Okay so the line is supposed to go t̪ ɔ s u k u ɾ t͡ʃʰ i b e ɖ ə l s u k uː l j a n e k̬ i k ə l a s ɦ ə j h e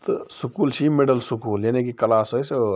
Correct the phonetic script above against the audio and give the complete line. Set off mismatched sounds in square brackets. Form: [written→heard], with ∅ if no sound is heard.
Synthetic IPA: t̪ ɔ s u k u [ɾ→l] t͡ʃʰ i [b→m] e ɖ ə l s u k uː l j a n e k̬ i k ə l a s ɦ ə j [h→s] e